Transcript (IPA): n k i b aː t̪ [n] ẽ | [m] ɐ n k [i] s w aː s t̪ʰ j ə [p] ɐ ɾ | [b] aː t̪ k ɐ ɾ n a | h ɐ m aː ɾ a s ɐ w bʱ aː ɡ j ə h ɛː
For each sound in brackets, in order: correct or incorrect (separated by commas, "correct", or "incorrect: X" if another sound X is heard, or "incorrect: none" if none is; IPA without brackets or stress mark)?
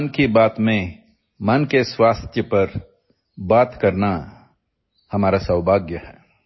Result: incorrect: m, correct, incorrect: e, correct, correct